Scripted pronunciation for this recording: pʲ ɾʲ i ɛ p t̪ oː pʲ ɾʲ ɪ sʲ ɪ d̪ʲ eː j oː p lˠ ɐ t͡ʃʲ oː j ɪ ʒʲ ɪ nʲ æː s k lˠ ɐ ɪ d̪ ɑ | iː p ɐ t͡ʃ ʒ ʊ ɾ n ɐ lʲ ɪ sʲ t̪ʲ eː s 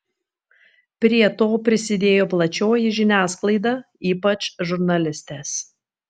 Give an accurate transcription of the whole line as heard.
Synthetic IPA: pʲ ɾʲ i ɛ t̪ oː pʲ ɾʲ ɪ sʲ ɪ d̪ʲ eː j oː p lˠ ɐ t͡ʃʲ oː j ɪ ʒʲ ɪ nʲ æː s k lˠ ɐ ɪ d̪ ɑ | iː p ɐ t͡ʃ ʒ ʊ ɾ n ɐ lʲ ɪ sʲ t̪ʲ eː s